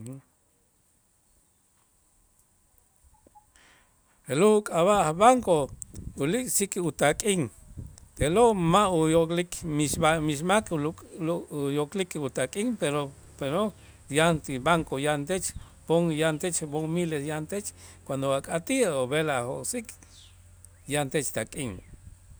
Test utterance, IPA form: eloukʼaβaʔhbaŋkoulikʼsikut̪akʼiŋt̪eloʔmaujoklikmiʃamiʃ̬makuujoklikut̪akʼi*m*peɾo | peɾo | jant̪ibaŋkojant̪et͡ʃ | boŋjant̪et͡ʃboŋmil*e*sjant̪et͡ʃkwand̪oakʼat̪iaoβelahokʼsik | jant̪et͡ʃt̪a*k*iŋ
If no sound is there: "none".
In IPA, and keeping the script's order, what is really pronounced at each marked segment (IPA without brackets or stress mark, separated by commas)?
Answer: ŋ, e, kʼ